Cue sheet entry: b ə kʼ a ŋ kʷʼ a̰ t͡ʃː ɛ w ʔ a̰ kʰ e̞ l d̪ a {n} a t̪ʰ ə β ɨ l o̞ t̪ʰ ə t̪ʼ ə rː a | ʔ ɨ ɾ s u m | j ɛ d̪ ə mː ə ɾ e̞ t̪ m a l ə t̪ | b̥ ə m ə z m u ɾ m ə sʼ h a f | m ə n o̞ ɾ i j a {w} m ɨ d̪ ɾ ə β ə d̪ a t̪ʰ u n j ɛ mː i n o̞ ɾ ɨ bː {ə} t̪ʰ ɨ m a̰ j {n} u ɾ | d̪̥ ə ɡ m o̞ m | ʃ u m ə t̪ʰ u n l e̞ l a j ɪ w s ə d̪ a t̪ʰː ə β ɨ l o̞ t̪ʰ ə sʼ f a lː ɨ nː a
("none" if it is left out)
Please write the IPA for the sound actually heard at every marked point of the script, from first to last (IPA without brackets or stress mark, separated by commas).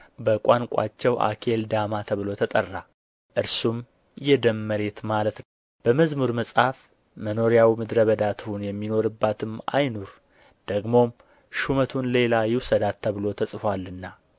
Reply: m, w, a, n